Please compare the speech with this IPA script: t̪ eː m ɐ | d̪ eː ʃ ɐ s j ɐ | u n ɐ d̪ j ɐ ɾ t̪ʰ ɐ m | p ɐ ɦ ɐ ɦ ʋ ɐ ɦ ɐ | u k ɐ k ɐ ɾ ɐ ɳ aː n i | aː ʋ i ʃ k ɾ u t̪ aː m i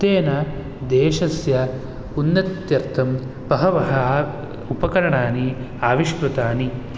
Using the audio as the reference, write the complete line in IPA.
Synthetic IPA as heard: t̪ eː n ɐ | d̪ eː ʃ ɐ s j ɐ | u nː ɐ t̪ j ɐ ɾ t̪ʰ ɐ m | p ɐ ɦ ɐ ʋ ɐ ɦ ɐ | u p ɐ k ɐ ɾ ɐ ɳ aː n i | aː ʋ i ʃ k ɾ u t̪ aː n i